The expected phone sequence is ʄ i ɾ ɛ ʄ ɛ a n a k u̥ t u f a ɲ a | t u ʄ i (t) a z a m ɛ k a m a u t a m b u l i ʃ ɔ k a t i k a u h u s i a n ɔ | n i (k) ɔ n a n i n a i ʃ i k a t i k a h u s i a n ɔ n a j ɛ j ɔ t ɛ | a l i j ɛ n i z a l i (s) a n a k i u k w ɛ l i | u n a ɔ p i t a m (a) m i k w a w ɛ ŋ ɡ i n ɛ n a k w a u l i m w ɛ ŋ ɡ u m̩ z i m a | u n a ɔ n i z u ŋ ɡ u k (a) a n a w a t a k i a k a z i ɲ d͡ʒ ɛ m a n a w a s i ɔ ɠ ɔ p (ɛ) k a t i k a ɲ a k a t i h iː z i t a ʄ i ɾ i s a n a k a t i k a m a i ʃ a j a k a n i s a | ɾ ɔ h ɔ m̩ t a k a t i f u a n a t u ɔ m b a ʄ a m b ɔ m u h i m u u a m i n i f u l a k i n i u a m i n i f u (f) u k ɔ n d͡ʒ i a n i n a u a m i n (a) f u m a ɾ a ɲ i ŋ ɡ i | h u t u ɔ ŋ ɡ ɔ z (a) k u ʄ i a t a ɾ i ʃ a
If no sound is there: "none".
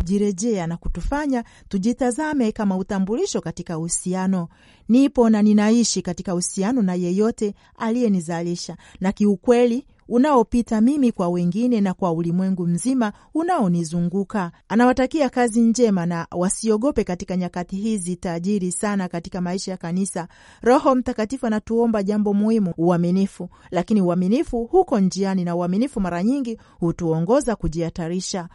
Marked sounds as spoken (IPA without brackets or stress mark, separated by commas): t, p, ʃ, i, a, ɛ, h, i, a